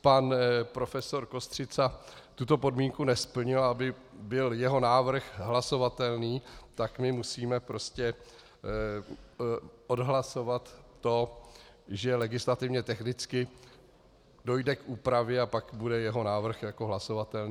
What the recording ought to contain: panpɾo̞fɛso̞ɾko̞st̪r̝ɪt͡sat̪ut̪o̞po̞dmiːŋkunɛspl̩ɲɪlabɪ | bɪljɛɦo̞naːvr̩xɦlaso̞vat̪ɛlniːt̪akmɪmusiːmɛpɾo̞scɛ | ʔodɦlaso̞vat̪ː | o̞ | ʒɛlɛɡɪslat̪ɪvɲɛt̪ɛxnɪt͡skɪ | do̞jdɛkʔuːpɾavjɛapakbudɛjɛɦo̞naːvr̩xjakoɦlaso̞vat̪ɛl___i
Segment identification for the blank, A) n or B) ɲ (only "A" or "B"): A